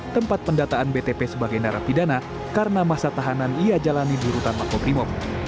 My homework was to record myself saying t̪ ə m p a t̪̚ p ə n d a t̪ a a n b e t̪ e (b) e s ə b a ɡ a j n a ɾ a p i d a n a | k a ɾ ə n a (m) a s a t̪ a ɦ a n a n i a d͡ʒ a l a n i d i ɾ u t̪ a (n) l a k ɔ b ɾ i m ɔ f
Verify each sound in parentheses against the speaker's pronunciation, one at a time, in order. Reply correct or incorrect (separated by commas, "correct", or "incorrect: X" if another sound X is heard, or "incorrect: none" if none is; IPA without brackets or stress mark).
incorrect: p, correct, correct